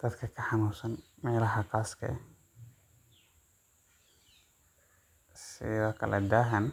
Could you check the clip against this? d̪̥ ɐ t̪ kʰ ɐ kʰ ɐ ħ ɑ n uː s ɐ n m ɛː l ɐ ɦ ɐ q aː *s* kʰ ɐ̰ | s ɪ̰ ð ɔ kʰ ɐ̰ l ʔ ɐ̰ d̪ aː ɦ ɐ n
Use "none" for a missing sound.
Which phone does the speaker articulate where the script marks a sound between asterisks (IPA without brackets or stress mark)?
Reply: s